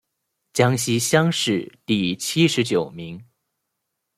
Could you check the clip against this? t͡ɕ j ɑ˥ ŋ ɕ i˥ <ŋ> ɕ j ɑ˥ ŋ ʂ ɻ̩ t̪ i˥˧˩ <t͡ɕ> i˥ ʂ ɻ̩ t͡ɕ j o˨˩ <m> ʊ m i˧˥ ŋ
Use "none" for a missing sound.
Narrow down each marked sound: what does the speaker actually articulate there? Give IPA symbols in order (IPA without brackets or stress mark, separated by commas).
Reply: none, t͡ɕʰ, none